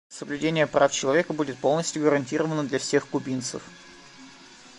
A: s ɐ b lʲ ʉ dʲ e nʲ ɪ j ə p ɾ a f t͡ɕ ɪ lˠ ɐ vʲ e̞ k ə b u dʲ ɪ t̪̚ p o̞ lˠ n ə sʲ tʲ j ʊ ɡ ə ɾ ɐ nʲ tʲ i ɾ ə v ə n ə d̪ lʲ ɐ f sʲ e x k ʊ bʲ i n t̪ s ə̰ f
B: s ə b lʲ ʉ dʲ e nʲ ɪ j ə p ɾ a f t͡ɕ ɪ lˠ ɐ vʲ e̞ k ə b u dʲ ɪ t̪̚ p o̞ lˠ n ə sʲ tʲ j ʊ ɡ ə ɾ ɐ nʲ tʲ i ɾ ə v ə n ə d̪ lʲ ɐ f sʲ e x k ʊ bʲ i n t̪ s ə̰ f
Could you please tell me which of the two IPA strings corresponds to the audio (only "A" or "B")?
B